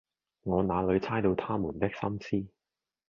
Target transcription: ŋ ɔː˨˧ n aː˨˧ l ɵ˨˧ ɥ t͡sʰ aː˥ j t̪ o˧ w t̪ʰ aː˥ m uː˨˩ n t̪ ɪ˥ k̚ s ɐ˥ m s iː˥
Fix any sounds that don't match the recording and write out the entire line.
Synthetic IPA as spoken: ŋ ɔː˨˧ n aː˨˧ l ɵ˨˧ ɥ t͡sʰ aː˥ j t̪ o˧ w t̪ʰ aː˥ m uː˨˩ n t̪ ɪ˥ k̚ s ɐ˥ m s iː˥